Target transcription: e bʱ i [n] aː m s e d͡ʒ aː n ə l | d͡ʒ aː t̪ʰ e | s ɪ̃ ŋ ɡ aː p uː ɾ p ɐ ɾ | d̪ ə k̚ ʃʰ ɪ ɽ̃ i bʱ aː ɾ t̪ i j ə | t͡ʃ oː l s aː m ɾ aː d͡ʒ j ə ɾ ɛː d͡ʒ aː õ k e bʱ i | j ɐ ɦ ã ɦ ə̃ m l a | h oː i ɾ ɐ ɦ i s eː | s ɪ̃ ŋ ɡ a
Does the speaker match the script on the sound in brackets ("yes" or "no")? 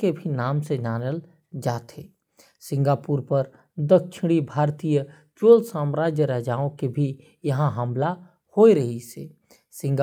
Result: yes